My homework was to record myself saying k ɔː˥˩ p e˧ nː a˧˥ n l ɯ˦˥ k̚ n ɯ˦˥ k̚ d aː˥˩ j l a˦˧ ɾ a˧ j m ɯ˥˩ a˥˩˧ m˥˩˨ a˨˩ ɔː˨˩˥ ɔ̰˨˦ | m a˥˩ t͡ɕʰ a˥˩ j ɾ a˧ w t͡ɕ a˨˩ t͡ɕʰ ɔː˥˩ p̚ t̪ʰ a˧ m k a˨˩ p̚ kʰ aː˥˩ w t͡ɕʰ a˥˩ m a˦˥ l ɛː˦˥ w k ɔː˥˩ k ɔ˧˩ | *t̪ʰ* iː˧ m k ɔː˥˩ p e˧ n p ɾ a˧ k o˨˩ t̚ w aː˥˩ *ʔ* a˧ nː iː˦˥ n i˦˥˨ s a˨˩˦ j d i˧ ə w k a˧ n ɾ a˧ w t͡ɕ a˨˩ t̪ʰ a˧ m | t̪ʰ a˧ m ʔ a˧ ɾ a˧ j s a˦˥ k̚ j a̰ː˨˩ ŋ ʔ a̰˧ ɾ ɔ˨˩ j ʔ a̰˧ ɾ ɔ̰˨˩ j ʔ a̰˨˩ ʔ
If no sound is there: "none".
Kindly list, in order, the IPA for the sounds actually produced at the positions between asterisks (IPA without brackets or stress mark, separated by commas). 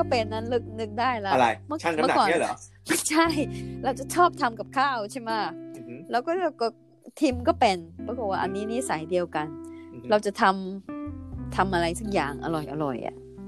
t̪ʰ, ʔ